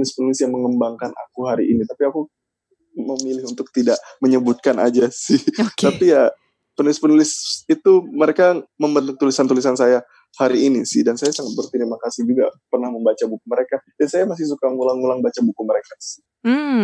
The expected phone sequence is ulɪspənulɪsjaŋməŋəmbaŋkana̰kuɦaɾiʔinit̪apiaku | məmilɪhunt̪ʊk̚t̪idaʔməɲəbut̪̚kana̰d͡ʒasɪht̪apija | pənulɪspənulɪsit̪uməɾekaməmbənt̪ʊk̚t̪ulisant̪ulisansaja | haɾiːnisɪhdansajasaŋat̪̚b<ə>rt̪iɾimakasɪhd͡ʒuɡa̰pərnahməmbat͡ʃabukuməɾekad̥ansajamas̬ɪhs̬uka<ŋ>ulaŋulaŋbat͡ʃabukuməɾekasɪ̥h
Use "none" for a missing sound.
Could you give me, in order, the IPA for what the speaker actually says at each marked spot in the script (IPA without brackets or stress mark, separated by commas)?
ə, ŋ